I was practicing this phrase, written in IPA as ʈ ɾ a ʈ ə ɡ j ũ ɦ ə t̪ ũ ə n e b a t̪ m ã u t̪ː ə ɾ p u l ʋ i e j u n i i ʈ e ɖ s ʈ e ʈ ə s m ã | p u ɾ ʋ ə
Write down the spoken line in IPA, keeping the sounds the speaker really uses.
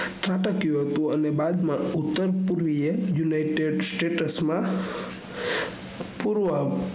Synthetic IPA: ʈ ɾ a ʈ ə k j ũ ɦ ə t̪ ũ ə n e b a d̪ m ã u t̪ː ə ɾ p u ɾ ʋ i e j u n a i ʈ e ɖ s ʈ e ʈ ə s m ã | p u ɾ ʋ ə